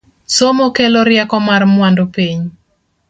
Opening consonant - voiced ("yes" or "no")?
no